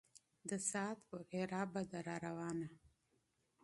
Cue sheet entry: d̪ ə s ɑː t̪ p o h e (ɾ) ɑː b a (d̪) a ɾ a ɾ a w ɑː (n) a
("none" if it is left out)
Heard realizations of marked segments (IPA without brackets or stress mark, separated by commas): ɾ, d̪, n